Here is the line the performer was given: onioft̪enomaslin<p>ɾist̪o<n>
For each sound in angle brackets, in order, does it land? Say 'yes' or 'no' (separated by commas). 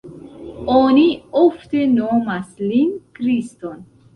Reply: no, yes